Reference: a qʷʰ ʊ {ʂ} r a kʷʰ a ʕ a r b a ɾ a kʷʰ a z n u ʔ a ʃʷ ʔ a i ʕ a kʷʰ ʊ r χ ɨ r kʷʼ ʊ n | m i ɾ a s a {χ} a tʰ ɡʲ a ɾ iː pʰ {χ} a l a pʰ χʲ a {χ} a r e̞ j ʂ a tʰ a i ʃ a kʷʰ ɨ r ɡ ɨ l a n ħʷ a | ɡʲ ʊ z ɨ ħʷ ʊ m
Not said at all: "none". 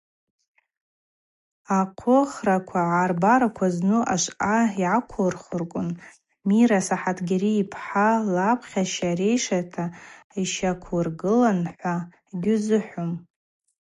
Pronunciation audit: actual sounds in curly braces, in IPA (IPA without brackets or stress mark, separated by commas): χ, ħ, ħ, ʃ